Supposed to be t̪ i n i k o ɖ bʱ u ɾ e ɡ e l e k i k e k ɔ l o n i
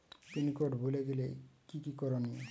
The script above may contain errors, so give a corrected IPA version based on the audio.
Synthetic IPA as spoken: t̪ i n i k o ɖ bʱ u l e ɡ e l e k i k i k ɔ ɾ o n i